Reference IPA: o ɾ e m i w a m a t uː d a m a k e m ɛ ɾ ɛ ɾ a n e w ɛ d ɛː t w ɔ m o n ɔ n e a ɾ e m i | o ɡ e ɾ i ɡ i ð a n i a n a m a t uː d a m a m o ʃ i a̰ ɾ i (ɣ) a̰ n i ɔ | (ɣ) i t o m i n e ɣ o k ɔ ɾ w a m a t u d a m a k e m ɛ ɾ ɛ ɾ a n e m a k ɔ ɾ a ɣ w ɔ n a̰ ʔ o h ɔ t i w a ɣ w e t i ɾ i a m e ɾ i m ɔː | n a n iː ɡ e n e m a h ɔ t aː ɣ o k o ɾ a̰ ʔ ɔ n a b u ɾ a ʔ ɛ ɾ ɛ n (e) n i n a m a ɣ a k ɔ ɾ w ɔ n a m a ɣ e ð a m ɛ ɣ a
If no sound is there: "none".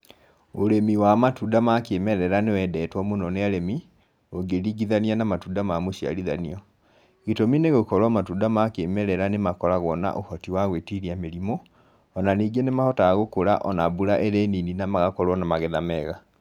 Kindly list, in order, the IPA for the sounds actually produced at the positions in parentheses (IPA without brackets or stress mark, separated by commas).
ð, ɣ, i